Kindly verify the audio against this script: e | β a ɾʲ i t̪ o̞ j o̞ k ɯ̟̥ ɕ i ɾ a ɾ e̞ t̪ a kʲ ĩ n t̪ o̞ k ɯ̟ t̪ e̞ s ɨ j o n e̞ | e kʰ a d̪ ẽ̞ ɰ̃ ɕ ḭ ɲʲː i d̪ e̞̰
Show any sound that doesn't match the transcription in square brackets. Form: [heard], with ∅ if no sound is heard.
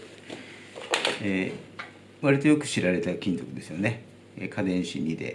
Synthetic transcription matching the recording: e | β a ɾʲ i t̪ o̞ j o̞ k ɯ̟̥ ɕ i ɾ a ɾ e̞ t̪ a kʲ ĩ n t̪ o̞ k ɯ̟ [d̪] e̞ s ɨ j o n e̞ | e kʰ a d̪ ẽ̞ ɰ̃ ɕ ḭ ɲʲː i d̪ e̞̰

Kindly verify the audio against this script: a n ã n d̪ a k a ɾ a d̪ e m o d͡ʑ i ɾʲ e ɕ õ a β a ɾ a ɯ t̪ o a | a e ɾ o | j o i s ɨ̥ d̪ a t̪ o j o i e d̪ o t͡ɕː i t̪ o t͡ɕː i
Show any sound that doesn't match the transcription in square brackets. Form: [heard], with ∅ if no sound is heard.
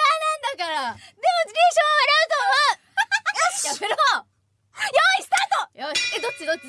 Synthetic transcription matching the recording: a n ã n d̪ a k a ɾ a d̪ e m o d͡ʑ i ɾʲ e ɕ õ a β a ɾ a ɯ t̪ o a | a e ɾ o | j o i s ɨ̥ [t̪] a t̪ o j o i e d̪ o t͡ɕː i [d̪] o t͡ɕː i

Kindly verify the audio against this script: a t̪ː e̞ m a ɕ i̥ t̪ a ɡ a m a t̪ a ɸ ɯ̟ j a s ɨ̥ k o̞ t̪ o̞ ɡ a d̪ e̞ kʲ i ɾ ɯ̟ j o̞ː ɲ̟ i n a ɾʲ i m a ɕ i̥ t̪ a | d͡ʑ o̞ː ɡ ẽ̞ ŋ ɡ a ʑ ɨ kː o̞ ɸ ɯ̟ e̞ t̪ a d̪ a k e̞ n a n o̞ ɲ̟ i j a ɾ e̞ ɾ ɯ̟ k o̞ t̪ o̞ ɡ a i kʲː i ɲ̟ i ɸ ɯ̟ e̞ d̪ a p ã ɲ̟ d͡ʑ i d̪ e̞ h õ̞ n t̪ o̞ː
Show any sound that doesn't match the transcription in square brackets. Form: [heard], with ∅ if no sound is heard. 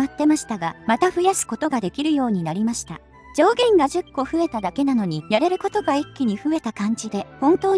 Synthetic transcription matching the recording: a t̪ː e̞ m a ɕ i̥ t̪ a ɡ a m a t̪ a ɸ ɯ̟ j a s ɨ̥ k o̞ t̪ o̞ ɡ a d̪ e̞ kʲ i ɾ ɯ̟ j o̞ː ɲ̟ i n a ɾʲ i m a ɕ i̥ t̪ a | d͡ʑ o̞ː ɡ ẽ̞ ŋ ɡ a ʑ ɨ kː o̞ ɸ ɯ̟ e̞ t̪ a d̪ a k e̞ n a n o̞ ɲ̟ i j a ɾ e̞ ɾ ɯ̟ k o̞ t̪ o̞ ɡ a i kʲː i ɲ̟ i ɸ ɯ̟ e̞ [t̪] a [k] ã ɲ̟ d͡ʑ i d̪ e̞ h õ̞ n t̪ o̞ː

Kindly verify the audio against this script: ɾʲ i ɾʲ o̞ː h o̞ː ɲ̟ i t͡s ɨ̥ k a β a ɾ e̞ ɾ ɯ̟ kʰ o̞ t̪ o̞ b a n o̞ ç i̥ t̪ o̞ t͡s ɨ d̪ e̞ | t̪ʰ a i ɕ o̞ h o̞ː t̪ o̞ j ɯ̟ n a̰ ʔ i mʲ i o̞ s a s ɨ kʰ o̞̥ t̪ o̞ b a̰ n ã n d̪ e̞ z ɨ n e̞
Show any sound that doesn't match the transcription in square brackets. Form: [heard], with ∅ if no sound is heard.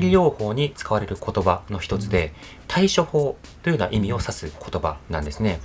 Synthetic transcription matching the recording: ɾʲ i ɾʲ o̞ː h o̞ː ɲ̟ i t͡s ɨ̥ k a β a ɾ e̞ ɾ ɯ̟ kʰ o̞ t̪ o̞ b a n o̞ ç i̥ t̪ o̞ t͡s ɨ d̪ e̞ | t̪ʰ a i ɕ o̞ h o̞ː t̪ o̞ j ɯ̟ n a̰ ʔ i mʲ i o̞ s a s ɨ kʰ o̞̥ t̪ o̞ b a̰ n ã n d̪ e̞ [s] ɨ n e̞

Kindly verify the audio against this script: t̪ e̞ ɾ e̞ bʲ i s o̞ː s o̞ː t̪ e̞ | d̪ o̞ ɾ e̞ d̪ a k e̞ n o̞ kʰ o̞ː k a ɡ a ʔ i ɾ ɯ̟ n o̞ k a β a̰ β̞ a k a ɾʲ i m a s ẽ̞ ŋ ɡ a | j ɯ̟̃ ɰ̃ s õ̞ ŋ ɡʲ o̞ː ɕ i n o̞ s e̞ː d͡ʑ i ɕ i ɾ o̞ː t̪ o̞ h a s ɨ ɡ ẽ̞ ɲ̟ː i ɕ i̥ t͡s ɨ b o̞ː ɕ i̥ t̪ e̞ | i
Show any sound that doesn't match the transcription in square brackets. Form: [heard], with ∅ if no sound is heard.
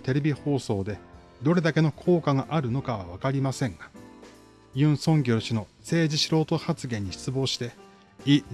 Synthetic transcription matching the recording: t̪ e̞ ɾ e̞ bʲ i [h] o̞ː s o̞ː [d̪] e̞ | d̪ o̞ ɾ e̞ d̪ a k e̞ n o̞ kʰ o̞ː k a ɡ a ʔ [a] ɾ ɯ̟ n o̞ k a β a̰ β̞ a k a ɾʲ i m a s ẽ̞ ŋ ɡ a | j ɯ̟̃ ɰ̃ s õ̞ ŋ ɡʲ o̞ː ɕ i n o̞ s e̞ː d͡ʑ i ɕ i ɾ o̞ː t̪ o̞ h a [t͡s] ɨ ɡ ẽ̞ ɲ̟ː i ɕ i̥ t͡s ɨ b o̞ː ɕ i̥ t̪ e̞ | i

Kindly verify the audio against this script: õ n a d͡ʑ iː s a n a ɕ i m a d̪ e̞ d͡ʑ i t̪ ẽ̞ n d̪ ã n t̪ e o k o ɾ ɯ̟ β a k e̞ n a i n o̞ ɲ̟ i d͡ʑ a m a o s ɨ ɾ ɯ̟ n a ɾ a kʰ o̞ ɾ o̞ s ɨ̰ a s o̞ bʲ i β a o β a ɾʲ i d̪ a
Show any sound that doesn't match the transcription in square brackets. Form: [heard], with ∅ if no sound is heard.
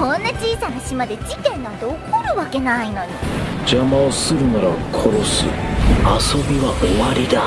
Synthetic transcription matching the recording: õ [nː] a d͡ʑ iː s a n a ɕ i m a d̪ e̞ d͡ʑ i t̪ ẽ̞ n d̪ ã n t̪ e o k o ɾ ɯ̟ β a k e̞ n a i n o̞ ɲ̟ i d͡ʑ a m a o s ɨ ɾ ɯ̟ n a ɾ a kʰ o̞ ɾ o̞ s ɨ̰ a s o̞ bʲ i β a o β a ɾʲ i d̪ a

